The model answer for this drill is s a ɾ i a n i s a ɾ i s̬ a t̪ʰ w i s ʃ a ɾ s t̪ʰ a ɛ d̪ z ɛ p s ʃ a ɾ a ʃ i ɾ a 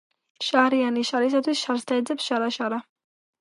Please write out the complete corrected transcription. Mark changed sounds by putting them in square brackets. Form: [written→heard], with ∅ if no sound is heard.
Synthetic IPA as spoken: [s→ʃ] a ɾ i a n i [s→ʃ] a ɾ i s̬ a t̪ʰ w i s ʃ a ɾ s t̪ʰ a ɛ d̪ z ɛ p s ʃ a ɾ a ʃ [i→a] ɾ a